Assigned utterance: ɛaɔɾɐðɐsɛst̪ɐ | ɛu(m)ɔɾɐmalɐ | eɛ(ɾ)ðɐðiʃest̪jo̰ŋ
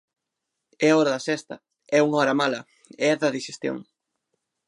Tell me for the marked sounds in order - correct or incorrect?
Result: incorrect: ŋ, incorrect: none

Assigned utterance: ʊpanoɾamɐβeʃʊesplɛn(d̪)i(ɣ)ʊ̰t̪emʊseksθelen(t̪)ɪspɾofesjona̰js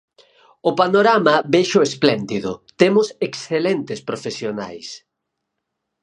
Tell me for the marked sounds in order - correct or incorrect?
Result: correct, incorrect: ð, correct

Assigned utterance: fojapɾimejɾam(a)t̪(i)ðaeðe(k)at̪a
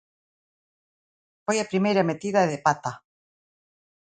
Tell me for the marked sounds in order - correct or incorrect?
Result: incorrect: e, correct, incorrect: p

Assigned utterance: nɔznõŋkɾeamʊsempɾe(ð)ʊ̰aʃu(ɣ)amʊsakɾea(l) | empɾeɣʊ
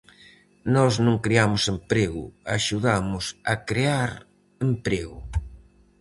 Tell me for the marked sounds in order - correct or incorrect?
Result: incorrect: ɣ, incorrect: ð, incorrect: ɾ

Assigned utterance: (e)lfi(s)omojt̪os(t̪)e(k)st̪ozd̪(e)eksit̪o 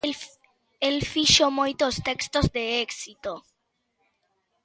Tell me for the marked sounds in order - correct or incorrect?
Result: correct, incorrect: ʃ, correct, correct, correct

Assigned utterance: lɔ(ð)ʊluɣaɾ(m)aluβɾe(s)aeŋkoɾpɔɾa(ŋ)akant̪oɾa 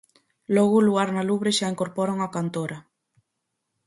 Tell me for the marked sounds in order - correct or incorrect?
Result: incorrect: ɣ, incorrect: n, incorrect: ʃ, correct

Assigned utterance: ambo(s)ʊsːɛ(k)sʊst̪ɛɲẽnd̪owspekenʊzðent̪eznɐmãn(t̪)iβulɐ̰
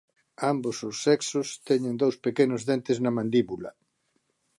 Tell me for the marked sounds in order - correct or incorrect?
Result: correct, correct, incorrect: d̪

